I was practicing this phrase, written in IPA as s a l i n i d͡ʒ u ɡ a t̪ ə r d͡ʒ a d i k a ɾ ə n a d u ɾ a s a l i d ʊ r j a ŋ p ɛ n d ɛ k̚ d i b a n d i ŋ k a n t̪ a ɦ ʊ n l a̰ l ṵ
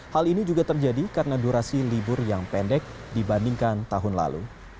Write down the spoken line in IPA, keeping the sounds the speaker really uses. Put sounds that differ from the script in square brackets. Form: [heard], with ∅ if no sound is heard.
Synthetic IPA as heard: [h] a l i n i d͡ʒ u ɡ a t̪ ə r d͡ʒ a d i k a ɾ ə n a d u ɾ a s [i] l i [b] ʊ r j a ŋ p ɛ n d ɛ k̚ d i b a n d i ŋ k a n t̪ a ɦ ʊ n l a̰ l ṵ